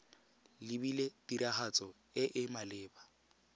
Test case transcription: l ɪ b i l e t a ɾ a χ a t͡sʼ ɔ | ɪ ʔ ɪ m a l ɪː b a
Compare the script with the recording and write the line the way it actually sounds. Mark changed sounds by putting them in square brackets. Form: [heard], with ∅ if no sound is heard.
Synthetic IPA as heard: l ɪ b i l e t [i] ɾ a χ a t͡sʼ ɔ | ɪ ʔ ɪ m a l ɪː b a